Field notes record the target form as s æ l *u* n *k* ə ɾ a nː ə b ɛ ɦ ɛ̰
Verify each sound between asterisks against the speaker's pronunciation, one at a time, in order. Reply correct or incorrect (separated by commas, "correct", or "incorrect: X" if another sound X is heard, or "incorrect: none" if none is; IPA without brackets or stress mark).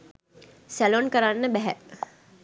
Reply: incorrect: o, correct